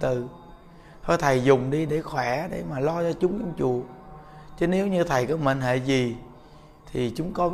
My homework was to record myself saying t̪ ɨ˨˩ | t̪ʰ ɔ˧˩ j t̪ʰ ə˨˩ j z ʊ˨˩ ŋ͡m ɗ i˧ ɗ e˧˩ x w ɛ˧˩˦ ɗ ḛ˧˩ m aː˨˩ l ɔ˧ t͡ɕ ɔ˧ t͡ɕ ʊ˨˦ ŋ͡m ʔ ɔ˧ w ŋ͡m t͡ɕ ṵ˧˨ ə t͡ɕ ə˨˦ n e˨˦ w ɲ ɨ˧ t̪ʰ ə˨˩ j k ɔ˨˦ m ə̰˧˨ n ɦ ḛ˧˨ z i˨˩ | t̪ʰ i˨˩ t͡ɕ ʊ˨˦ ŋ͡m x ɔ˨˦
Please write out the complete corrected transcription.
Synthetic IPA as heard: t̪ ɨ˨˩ | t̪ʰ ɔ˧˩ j t̪ʰ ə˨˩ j z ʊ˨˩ ŋ͡m ɗ i˧ ɗ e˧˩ x w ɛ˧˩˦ ɗ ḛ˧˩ m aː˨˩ l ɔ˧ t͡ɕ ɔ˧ t͡ɕ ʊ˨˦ ŋ͡m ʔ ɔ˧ w ŋ͡m t͡ɕ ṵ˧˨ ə t͡ɕ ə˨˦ n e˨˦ w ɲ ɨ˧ t̪ʰ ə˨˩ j k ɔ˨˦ m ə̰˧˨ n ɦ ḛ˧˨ z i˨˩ | t̪ʰ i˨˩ t͡ɕ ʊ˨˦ ŋ͡m k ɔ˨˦